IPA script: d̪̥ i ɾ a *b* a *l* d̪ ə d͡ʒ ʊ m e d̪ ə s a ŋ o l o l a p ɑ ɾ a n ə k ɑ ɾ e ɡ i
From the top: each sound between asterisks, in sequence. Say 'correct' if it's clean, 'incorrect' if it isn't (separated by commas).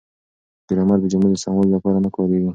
incorrect, incorrect